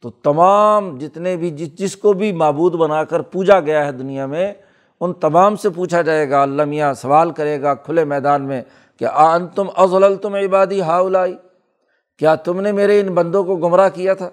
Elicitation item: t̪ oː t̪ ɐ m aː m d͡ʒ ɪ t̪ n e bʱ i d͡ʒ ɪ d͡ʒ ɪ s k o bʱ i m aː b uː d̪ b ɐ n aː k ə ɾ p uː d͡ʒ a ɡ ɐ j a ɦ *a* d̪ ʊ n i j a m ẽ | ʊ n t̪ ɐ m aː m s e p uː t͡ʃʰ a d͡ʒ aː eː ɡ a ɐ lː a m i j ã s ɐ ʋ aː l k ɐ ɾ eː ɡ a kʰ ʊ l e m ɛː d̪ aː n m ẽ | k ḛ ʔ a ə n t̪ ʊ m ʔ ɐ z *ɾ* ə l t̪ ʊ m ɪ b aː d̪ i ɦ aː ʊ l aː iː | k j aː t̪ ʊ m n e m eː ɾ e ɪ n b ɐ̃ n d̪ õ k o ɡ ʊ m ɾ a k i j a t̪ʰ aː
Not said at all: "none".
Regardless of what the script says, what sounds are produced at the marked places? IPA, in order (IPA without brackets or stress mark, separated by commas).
ɛ, l